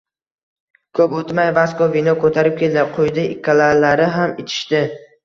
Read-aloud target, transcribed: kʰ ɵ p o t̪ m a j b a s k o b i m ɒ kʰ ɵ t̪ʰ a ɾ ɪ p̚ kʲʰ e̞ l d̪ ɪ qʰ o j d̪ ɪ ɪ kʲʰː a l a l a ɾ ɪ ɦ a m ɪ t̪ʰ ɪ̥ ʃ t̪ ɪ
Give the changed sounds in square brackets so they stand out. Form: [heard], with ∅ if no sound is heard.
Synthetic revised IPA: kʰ ɵ p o t̪ m a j [v] a s k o [v] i [n] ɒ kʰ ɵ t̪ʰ a ɾ ɪ p̚ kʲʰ e̞ l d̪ ɪ qʰ o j d̪ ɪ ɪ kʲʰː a l a l a ɾ ɪ ɦ a m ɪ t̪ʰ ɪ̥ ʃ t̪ ɪ